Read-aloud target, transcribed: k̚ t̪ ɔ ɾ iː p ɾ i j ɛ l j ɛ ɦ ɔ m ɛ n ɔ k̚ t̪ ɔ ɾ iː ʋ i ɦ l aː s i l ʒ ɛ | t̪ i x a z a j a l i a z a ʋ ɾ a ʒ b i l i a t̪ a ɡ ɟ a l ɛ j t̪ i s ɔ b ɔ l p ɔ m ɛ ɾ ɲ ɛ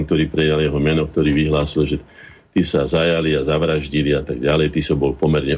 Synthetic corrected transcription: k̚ t̪ ɔ ɾ iː p ɾ ɛ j a l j ɛ ɦ ɔ m ɛ n ɔ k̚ t̪ ɔ ɾ iː ʋ i ɦ l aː s i l ʒ ɛ | t̪ i s a z a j a l i a z a ʋ ɾ a ʒ ɟ i l i a t̪ a ɡ ɟ a l ɛ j t̪ i s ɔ b ɔ l p ɔ m ɛ ɾ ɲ ɛ